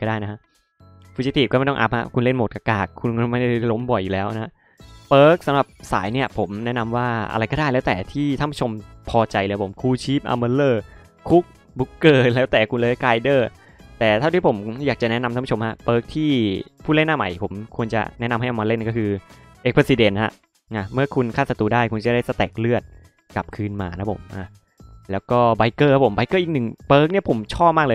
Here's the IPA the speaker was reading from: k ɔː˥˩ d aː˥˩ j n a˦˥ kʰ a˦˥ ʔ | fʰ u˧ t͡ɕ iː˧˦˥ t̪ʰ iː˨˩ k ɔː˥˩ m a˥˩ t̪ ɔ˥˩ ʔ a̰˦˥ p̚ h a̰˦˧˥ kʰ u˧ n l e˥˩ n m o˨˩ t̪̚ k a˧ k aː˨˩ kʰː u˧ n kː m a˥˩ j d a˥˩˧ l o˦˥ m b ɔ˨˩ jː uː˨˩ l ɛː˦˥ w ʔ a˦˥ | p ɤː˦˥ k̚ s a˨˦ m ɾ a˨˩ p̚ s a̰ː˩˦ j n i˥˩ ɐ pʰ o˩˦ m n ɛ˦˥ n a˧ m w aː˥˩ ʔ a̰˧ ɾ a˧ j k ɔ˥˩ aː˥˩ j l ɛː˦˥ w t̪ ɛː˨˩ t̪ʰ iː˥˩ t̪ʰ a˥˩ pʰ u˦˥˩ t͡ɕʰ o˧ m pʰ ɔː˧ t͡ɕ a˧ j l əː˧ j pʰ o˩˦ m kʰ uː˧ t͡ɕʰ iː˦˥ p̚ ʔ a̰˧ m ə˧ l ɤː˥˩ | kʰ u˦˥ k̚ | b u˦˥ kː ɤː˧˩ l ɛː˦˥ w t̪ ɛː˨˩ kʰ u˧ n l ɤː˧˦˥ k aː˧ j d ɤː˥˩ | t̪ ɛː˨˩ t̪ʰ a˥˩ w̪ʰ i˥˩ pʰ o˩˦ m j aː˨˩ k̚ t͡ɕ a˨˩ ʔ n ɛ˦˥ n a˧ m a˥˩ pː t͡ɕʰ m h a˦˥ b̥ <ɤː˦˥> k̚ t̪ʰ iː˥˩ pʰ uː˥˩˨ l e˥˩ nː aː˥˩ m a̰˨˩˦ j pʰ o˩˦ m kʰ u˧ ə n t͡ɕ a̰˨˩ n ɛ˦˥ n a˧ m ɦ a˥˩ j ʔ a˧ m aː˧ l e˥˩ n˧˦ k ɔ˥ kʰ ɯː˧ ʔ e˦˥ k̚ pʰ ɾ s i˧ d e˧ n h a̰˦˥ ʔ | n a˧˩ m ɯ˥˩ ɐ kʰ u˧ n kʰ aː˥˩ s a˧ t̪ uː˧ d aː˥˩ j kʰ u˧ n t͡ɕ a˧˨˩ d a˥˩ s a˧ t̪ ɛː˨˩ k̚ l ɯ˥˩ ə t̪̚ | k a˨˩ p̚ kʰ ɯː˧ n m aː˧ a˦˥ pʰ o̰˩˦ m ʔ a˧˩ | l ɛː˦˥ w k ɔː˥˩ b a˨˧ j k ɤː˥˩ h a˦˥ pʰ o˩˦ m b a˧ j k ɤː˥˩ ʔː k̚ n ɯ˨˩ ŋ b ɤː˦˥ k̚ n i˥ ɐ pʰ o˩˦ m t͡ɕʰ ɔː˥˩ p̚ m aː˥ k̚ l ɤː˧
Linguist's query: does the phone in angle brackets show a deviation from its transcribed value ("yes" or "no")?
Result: no